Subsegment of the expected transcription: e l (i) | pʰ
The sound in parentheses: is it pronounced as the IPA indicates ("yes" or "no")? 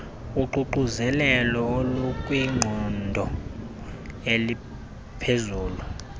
yes